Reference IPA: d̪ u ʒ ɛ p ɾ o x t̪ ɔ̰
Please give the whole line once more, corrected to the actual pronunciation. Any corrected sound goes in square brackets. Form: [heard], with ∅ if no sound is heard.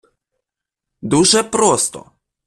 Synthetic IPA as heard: d̪ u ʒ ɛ p ɾ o [s] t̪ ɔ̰